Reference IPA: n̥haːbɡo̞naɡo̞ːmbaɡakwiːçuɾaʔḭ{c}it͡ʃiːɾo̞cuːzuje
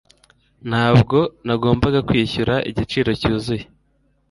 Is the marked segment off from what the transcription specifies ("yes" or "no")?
yes